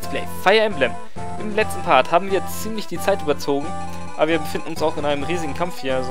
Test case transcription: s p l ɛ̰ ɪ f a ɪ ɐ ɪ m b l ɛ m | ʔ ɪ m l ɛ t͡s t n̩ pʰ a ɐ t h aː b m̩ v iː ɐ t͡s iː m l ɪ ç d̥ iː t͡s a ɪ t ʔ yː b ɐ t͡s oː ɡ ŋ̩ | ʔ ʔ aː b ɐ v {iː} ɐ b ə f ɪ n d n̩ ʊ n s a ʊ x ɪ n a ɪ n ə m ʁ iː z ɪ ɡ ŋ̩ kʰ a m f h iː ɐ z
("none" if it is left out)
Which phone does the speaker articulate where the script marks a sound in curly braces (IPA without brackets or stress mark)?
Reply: iː